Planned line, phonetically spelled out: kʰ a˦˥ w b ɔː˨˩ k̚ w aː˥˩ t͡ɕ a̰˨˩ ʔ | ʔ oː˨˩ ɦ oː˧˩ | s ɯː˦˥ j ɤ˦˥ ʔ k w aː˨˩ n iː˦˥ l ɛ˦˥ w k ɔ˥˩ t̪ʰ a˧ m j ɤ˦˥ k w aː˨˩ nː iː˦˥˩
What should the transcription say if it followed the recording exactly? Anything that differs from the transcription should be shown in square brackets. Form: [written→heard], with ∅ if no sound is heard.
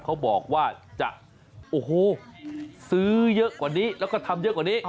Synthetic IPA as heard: kʰ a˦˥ w b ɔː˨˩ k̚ w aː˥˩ t͡ɕ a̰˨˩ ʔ | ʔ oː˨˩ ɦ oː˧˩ | s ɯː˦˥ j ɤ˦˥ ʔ k w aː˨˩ n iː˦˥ l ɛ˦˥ w k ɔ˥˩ t̪ʰ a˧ m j ɤ˦˥ k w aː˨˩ [nː→n] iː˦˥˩